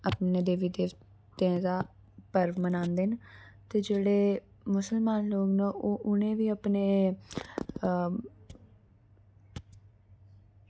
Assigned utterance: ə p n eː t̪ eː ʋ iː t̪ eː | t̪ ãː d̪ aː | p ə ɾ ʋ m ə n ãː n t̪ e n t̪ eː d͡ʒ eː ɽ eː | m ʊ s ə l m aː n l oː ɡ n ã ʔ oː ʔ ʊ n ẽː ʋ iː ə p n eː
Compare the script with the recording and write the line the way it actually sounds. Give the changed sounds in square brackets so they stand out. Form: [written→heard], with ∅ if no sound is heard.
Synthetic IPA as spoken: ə p n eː [t̪→d̪] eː ʋ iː [t̪→d̪] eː | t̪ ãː d̪ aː | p ə ɾ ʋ m ə n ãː n [t̪→d̪] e n t̪ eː d͡ʒ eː ɽ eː | m ʊ s ə l m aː n l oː ɡ n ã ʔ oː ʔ ʊ n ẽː ʋ iː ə p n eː